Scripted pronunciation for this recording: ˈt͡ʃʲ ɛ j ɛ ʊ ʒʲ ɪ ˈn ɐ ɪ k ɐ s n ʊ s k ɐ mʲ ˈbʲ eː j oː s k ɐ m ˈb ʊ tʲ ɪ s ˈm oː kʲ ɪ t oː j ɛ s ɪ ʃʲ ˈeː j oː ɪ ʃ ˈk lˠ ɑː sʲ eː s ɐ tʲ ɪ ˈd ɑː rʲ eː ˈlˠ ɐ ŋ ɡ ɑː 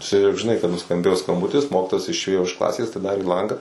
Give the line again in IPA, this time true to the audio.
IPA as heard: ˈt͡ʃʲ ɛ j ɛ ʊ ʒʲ ɪ ˈn ɐ ɪ k ɐ t n ʊ s k ɐ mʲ ˈbʲ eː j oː s k ɐ m ˈb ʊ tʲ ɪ s ˈm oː kʲ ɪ t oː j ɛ s ɪ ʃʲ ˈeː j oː ɪ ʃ ˈk lˠ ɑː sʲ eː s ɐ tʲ ɪ ˈd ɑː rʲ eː ˈlˠ ɐ ŋ ɡ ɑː